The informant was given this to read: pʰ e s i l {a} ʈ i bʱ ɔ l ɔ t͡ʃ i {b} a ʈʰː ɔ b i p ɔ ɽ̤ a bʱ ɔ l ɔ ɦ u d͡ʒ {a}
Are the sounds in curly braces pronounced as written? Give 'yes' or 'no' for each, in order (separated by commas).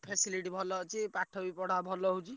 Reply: no, no, no